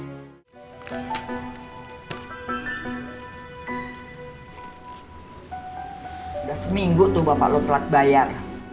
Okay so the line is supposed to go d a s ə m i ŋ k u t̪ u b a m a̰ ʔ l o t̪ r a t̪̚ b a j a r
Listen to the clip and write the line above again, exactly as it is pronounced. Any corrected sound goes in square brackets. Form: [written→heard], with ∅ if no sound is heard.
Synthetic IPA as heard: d a s ə m i ŋ [k→ɡ] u t̪ u b a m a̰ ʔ l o t̪ [r→l] a t̪̚ b a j a r